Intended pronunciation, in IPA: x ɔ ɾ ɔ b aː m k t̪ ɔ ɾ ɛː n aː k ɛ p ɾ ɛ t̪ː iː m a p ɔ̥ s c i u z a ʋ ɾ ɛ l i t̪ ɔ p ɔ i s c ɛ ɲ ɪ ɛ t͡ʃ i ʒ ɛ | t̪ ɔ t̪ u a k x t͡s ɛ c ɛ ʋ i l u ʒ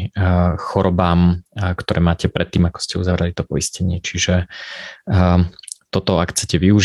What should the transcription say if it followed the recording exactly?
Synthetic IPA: x ɔ ɾ ɔ b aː m k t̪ ɔ ɾ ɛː m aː c ɛ p ɾ ɛ t̪ː iː m a k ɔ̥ s c ɛ u z a ʋ ɾ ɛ l i t̪ ɔ p ɔ i s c ɛ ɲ ɪ ɛ t͡ʃ i ʒ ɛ | t̪ ɔ t̪ ɔ a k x t͡s ɛ c ɛ ʋ i u ʒ